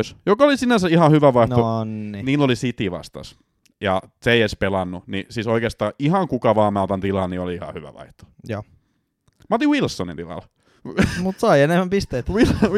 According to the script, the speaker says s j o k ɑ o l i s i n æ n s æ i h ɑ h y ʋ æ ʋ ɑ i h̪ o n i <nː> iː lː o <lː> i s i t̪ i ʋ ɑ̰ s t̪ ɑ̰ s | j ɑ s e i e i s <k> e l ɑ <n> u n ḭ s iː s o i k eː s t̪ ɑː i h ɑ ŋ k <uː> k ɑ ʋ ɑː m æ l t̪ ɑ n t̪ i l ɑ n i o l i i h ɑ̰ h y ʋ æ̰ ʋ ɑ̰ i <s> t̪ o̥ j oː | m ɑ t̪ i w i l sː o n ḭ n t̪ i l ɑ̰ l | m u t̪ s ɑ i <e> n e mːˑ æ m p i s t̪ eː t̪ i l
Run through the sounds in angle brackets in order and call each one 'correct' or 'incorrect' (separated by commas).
incorrect, incorrect, incorrect, incorrect, incorrect, incorrect, correct